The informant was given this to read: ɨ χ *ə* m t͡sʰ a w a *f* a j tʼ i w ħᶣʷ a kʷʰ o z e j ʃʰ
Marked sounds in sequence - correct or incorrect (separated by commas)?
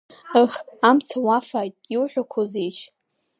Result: incorrect, correct